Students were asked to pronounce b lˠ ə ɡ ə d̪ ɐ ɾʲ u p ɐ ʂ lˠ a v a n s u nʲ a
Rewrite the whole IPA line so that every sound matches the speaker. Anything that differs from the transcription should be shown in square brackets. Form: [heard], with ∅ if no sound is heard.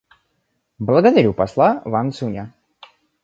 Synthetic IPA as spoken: b lˠ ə ɡ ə d̪ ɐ ɾʲ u p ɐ [s] lˠ a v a n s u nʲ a